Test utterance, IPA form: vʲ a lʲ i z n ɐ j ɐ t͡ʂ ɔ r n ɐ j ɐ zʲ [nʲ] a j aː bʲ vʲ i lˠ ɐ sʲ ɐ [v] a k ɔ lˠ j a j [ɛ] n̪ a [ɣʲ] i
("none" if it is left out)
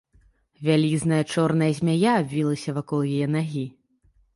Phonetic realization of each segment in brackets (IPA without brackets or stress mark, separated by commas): mʲ, v, ɛ, ɣʲ